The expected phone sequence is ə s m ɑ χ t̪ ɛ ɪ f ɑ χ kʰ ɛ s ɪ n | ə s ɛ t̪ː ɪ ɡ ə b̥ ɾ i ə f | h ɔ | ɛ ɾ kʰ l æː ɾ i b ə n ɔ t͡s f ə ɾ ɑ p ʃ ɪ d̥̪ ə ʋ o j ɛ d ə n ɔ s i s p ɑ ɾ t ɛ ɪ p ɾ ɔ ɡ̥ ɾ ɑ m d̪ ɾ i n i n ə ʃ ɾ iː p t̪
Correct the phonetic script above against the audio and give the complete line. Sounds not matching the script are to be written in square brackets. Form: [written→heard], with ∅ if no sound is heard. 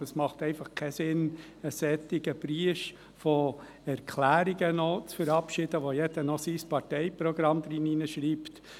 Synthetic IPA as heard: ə s m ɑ χ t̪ ɛ ɪ f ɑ χ kʰ ɛ s ɪ n | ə s ɛ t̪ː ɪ ɡ ə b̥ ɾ i ə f | [h→f] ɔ | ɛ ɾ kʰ l æː ɾ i [b→ɡ] ə n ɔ t͡s f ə ɾ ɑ p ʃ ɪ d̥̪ ə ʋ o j ɛ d ə n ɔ s i s p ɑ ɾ t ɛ ɪ p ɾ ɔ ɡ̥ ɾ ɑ m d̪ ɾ i n i n ə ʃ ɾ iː p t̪